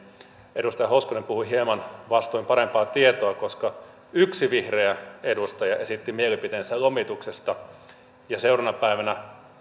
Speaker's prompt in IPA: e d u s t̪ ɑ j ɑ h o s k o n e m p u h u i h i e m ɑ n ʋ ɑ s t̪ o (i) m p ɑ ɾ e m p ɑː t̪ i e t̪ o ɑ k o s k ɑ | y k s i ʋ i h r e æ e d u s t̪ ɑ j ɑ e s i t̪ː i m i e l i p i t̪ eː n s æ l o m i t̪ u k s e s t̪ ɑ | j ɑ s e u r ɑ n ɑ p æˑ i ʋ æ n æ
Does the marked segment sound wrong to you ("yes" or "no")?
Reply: no